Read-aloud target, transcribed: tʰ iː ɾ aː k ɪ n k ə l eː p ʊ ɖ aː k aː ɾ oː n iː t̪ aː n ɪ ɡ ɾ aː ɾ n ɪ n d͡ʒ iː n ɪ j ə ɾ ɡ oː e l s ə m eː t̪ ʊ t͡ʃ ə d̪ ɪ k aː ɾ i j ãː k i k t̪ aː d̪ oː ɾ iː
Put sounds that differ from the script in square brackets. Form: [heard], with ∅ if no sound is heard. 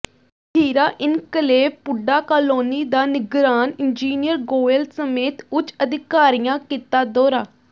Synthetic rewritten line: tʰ iː ɾ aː [ʔ] ɪ n k ə l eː p ʊ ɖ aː k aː [l] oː n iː [d̪] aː n ɪ ɡ ɾ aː [∅] n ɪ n d͡ʒ iː n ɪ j ə ɾ ɡ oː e l s ə m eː t̪ ʊ t͡ʃ ə d̪ ɪ k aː ɾ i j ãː k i [∅] t̪ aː d̪ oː ɾ [aː]